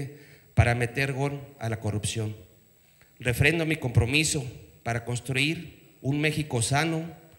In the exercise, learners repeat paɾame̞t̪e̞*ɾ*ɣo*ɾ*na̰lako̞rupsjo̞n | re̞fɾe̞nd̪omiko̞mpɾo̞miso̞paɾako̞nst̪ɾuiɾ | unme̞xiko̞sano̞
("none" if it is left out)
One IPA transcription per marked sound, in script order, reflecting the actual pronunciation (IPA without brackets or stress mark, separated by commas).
ɾ, none